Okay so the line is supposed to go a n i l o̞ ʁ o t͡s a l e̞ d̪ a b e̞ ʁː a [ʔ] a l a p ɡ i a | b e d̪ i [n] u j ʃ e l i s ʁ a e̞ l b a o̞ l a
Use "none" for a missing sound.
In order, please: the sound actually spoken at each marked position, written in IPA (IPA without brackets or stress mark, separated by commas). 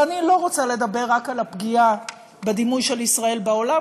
k, m